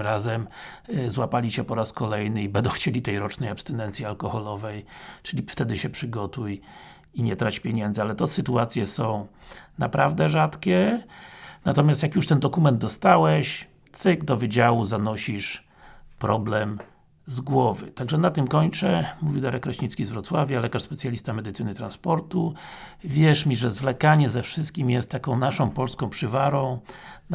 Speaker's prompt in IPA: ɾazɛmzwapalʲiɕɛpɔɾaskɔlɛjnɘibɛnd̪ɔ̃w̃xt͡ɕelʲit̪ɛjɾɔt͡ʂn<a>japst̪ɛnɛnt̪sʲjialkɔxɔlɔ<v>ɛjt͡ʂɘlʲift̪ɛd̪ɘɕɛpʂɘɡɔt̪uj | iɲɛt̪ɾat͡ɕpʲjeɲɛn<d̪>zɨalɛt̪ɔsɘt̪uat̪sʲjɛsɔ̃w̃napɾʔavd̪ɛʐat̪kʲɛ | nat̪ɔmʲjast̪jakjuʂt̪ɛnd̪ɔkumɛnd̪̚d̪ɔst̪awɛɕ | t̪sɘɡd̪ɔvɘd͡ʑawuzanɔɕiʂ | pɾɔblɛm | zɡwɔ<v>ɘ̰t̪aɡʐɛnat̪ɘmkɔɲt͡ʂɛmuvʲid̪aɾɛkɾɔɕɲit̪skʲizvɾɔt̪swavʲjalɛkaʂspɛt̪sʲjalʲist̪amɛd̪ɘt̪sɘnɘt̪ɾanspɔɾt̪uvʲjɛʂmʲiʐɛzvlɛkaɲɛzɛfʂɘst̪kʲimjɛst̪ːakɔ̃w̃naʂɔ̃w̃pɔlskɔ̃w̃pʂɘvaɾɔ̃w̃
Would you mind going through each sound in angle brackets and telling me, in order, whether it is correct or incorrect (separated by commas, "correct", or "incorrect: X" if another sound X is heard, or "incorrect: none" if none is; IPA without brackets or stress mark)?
incorrect: ɛ, correct, correct, correct